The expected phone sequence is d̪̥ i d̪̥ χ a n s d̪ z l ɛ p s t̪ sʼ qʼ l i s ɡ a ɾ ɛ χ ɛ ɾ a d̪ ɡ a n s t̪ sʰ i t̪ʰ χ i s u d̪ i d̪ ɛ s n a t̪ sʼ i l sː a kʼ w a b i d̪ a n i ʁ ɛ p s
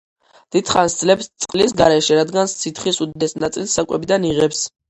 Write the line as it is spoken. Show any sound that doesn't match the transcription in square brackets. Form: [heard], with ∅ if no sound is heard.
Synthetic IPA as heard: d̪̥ i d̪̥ χ a n s d̪ z l ɛ p s t̪ sʼ qʼ l i s ɡ a ɾ ɛ [ʃ] ɛ ɾ a d̪ ɡ a n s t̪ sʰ i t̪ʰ χ i s u d̪ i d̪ ɛ s n a t̪ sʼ i l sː a kʼ w [ɛ] b i d̪ a n i ʁ ɛ p s

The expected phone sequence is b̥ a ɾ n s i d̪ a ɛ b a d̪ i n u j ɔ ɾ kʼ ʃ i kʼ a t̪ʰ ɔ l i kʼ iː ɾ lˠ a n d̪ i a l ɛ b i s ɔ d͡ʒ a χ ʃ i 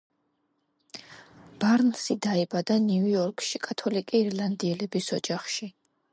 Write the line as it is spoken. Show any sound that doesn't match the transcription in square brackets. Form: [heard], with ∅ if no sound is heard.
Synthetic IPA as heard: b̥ a ɾ n s i d̪ a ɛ b a d̪ [a] n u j ɔ ɾ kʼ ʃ i kʼ a t̪ʰ ɔ l i kʼ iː ɾ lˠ a n d̪ i [ɛ] l ɛ b i s ɔ d͡ʒ a χ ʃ i

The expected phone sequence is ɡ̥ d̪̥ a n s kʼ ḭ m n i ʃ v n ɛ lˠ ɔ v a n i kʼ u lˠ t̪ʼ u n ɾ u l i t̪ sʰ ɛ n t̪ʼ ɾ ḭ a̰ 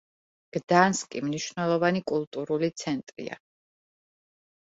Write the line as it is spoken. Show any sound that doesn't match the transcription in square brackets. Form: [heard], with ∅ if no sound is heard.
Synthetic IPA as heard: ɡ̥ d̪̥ a n s kʼ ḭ m n i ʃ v n ɛ lˠ ɔ v a n i kʼ u lˠ t̪ʼ u [∅] ɾ u l i t̪ sʰ ɛ n t̪ʼ ɾ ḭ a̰

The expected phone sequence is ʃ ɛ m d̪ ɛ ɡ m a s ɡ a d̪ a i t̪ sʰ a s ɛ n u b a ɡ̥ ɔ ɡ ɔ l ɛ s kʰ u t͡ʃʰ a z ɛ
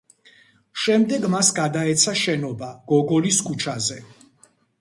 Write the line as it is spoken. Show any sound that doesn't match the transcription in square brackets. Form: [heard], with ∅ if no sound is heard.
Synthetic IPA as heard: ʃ ɛ m d̪ ɛ ɡ m a s ɡ a d̪ a [ɛ] t̪ sʰ a [ʃ] ɛ n [ɔ] b a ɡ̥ ɔ ɡ ɔ l [i] s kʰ u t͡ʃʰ a z ɛ

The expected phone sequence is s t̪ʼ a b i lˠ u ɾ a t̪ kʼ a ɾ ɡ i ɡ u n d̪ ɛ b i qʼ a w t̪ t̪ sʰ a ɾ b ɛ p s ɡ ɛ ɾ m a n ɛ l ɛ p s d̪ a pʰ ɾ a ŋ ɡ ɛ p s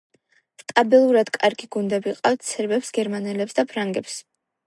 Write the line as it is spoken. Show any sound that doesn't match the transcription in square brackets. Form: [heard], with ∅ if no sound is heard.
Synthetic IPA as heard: s t̪ʼ a b i lˠ u ɾ a [d̪] kʼ a ɾ ɡ i ɡ u n d̪ ɛ b i qʼ a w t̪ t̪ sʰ [ɛ] ɾ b ɛ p s ɡ ɛ ɾ m a n ɛ l ɛ p s d̪ a pʰ ɾ a ŋ ɡ ɛ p s

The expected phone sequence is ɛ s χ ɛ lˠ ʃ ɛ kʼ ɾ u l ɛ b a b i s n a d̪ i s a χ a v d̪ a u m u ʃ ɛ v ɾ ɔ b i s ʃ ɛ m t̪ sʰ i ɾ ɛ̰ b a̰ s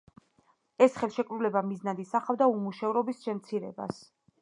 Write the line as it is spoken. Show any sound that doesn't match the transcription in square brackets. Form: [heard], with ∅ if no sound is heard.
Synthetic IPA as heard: ɛ s χ ɛ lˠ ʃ ɛ kʼ ɾ u l ɛ b a [m] i [z] n a d̪ i s a χ a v d̪ a u m u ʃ ɛ v ɾ ɔ b i s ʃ ɛ m t̪ sʰ i ɾ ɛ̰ b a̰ s

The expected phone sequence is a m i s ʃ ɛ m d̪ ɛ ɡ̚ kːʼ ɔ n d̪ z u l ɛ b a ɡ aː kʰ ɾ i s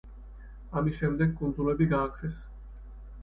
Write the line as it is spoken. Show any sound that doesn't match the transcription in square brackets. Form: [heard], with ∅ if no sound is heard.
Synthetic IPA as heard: a m i s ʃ ɛ m d̪ ɛ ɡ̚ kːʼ [u] n d̪ z u l ɛ b [i] ɡ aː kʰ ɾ [ɛ] s

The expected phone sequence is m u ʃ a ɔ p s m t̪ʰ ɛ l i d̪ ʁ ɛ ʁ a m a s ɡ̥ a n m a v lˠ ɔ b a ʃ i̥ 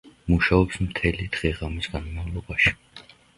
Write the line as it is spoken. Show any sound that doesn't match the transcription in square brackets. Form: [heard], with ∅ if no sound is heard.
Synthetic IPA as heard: m u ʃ a ɔ p s m t̪ʰ ɛ l i d̪ ʁ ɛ ʁ a m [i] s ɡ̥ a n m a v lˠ ɔ b a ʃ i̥

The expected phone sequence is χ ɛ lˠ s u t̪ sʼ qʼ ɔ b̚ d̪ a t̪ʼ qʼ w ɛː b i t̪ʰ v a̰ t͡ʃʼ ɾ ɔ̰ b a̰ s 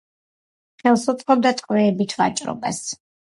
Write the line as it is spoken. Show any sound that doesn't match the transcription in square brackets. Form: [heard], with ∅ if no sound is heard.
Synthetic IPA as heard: χ ɛ lˠ s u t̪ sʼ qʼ ɔ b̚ d̪ a t̪ʼ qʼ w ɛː b i t̪ʰ v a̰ t͡ʃʼ ɾ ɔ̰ b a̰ s

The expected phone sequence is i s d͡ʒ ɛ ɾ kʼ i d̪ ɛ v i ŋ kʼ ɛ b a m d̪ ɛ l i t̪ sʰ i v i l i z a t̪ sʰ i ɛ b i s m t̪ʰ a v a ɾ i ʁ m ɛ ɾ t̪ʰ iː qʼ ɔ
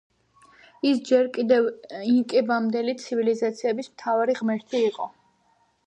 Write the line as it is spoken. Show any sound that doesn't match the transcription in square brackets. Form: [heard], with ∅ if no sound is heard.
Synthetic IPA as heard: i s d͡ʒ ɛ ɾ kʼ i d̪ ɛ v i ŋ kʼ ɛ b a m d̪ ɛ l i t̪ sʰ i v i l i z a t̪ sʰ i ɛ b i s m t̪ʰ a v a ɾ i ʁ m ɛ ɾ t̪ʰ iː qʼ ɔ

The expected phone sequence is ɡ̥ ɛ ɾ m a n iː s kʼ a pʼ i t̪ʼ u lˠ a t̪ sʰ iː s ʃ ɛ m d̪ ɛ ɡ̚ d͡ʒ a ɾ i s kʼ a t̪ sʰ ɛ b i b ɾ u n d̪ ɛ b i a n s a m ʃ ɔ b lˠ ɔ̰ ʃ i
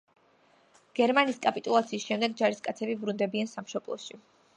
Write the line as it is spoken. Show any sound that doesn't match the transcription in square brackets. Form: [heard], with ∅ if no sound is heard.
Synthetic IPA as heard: ɡ̥ ɛ ɾ m a n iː s kʼ a pʼ i t̪ʼ u lˠ a t̪ sʰ iː s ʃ ɛ m d̪ ɛ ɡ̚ d͡ʒ a ɾ i s kʼ a t̪ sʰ ɛ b i b ɾ u n d̪ ɛ b i a n s a m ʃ ɔ b lˠ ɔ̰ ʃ i

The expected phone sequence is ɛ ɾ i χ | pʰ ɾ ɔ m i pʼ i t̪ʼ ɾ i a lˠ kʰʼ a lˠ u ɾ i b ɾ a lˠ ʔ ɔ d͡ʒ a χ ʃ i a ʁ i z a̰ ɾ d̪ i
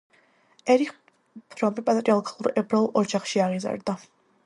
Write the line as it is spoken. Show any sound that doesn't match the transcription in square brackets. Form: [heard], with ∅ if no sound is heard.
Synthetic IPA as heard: ɛ ɾ i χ | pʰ ɾ ɔ m i pʼ [a] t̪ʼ ɾ i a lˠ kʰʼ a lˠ u ɾ [ɛ] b ɾ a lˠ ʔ ɔ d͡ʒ a χ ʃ i a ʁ i z a̰ ɾ d̪ [a]

